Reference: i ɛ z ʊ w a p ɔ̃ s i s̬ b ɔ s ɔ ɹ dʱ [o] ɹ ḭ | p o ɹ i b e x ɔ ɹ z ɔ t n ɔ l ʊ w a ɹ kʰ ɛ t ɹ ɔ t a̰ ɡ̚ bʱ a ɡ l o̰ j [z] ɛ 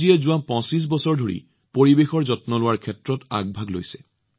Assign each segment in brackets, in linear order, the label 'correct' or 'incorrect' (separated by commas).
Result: correct, incorrect